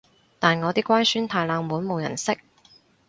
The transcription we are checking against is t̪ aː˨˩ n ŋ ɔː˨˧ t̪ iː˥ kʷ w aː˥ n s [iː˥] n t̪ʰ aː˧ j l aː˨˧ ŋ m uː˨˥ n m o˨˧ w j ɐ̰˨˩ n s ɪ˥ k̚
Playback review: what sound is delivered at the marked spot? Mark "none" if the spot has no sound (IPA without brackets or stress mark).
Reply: yː˥